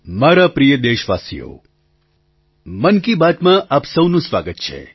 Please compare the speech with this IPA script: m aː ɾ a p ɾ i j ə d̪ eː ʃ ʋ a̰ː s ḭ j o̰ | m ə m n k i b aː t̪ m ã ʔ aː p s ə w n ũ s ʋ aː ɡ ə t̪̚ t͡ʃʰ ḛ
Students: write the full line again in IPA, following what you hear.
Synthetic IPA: m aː ɾ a p ɾ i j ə d̪ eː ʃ ʋ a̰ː s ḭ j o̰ | m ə n k i b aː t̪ m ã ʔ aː p s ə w n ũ s ʋ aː ɡ ə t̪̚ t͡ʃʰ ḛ